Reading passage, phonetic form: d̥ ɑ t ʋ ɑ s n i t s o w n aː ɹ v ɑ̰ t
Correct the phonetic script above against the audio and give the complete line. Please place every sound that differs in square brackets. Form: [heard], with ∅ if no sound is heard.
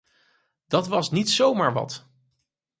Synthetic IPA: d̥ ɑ t ʋ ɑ s n i t s o w [m] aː ɹ [ʋ] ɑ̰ t